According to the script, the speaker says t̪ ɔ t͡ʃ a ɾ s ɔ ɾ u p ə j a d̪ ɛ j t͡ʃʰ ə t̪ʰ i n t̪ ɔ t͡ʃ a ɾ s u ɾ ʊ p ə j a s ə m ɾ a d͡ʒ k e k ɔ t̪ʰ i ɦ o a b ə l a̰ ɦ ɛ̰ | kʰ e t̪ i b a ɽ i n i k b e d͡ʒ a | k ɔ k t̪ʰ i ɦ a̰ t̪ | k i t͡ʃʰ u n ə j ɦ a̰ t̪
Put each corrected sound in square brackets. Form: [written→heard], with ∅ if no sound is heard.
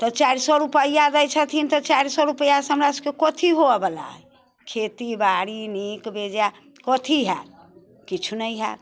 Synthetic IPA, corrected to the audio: t̪ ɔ t͡ʃ a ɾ s ɔ ɾ u p ə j a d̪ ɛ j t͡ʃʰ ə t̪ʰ i n t̪ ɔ t͡ʃ a ɾ s [u→ɔ] ɾ [ʊ→u] p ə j a s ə m ɾ a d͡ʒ k e k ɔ t̪ʰ i ɦ o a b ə l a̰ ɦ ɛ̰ | kʰ e t̪ i b a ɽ i n i k b e d͡ʒ a | k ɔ [k→∅] t̪ʰ i ɦ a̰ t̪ | k i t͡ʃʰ u n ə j ɦ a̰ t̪